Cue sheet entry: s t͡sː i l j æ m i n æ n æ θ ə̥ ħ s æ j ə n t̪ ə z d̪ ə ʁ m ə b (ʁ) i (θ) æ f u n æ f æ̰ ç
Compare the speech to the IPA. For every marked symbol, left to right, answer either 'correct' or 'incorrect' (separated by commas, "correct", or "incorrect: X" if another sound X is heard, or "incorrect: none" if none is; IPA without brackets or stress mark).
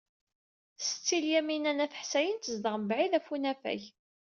incorrect: ʕ, incorrect: ð